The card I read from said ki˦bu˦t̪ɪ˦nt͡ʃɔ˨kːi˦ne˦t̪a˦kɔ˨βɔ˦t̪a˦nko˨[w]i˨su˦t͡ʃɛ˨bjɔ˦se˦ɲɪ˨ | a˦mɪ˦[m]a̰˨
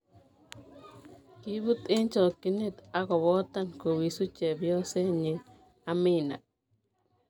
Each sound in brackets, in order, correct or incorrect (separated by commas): correct, incorrect